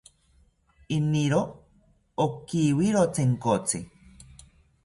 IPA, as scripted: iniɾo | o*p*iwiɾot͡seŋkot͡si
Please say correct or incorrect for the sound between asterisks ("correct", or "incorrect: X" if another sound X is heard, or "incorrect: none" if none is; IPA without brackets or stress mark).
incorrect: k